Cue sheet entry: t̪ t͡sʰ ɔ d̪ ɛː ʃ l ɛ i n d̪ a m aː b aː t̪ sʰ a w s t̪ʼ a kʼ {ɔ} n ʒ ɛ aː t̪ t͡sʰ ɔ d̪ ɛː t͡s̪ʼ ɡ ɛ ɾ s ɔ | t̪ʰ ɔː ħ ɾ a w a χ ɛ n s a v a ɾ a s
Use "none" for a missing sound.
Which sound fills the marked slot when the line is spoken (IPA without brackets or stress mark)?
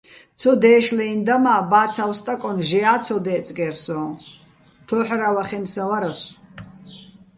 ɔ